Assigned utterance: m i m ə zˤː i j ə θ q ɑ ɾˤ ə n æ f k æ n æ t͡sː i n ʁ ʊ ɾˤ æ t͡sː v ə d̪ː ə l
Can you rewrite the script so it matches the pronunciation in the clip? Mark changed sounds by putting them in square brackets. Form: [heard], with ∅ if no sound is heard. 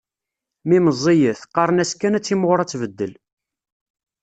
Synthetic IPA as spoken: m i m ə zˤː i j ə θ q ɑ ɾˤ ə n æ [s] k æ n æ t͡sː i [m] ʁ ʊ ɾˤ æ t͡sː v ə d̪ː ə l